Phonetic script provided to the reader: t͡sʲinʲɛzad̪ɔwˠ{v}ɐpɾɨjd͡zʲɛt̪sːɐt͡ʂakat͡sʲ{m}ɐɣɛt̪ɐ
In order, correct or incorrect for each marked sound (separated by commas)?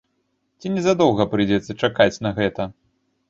incorrect, incorrect